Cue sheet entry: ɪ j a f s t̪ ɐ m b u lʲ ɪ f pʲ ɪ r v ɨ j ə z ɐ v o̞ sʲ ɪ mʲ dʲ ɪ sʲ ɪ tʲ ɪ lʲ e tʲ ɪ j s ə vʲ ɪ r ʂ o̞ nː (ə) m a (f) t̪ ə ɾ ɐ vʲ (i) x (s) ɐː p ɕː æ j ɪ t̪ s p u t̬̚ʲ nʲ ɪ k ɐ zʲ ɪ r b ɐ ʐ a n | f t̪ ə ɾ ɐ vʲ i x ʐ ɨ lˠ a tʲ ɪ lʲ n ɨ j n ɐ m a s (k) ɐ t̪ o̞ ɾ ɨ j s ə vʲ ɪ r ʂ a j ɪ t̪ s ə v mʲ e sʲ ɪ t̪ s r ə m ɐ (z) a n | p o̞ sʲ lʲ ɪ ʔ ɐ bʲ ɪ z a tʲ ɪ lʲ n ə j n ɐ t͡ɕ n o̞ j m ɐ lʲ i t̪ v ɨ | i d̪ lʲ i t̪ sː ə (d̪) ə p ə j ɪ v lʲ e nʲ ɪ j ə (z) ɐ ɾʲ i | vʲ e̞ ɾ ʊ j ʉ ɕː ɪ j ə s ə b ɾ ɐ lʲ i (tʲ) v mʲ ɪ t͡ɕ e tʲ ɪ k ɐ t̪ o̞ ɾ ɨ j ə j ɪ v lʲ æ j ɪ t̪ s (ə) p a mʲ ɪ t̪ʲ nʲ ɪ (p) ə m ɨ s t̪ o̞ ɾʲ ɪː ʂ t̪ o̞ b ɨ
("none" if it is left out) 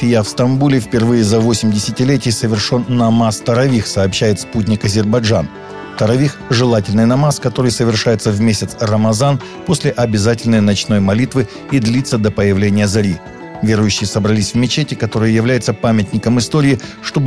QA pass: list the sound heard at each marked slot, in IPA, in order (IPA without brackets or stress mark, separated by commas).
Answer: ɐ, s, i, s, k, z, d̪, z, sʲ, ə, k